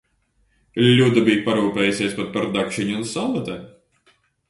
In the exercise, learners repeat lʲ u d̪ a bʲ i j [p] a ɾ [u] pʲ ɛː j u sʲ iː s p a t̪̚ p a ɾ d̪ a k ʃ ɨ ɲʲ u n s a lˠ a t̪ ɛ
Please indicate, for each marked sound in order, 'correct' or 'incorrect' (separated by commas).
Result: correct, incorrect